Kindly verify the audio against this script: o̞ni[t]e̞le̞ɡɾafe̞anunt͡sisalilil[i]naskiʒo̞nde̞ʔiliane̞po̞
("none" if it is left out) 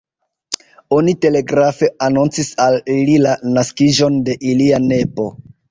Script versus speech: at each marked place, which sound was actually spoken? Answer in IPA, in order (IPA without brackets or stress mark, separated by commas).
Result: t, a